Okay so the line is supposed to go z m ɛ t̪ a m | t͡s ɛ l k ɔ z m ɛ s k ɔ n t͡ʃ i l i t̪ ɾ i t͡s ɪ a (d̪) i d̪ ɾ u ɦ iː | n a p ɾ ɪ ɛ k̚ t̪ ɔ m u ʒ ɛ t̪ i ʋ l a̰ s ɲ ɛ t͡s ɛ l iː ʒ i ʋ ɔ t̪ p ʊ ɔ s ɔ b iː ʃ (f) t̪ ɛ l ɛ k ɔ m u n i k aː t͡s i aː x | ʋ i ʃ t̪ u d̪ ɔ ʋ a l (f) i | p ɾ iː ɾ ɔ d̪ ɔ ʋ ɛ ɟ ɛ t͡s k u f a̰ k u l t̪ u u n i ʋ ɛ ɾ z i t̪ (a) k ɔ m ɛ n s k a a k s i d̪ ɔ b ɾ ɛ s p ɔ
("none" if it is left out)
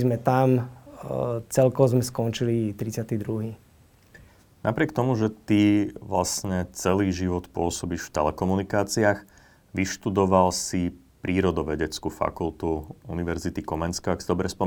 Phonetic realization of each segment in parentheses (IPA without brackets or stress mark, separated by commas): t̪, f, s, i